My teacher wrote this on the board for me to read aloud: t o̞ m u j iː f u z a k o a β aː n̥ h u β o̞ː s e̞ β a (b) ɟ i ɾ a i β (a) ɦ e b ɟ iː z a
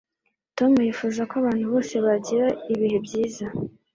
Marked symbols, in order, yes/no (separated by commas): no, no